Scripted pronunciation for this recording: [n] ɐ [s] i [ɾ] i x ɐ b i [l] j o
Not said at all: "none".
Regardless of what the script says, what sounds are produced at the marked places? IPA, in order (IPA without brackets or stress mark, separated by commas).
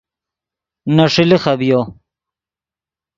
n, ʂ, l, none